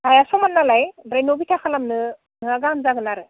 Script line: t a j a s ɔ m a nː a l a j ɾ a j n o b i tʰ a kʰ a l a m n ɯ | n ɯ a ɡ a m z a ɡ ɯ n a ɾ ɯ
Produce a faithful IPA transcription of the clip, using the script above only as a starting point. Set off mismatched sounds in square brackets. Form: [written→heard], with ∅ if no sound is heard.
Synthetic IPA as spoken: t a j a s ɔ m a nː a l a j ɾ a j n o b i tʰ a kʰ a l a m n ɯ | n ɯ a ɡ a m z a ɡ ɯ n a ɾ ɯ